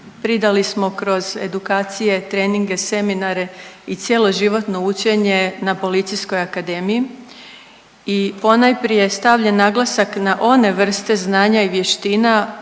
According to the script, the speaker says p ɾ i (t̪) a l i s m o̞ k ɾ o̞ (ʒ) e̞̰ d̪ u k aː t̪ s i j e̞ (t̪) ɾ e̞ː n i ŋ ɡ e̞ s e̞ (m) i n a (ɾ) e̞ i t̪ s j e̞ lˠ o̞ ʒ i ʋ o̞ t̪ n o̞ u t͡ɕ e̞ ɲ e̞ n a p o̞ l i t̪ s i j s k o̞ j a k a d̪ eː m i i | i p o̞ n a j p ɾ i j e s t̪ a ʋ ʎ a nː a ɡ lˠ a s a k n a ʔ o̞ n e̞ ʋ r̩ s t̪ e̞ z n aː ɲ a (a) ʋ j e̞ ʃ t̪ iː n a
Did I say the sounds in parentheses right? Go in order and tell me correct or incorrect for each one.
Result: incorrect: d̪, incorrect: z, correct, correct, correct, incorrect: i

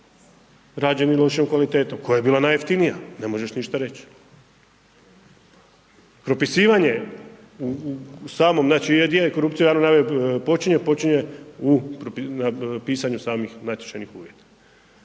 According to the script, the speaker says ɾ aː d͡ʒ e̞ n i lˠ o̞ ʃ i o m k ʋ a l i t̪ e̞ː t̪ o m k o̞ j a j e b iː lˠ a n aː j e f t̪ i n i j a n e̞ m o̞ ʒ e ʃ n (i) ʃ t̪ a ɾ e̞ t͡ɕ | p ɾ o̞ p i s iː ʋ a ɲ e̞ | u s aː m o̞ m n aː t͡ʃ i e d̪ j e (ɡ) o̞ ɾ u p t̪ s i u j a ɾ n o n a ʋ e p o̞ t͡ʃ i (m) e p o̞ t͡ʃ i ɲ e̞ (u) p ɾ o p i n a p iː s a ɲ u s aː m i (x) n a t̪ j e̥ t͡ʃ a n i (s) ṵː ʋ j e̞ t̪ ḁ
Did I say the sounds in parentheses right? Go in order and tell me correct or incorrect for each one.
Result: correct, incorrect: k, incorrect: ɲ, correct, correct, incorrect: x

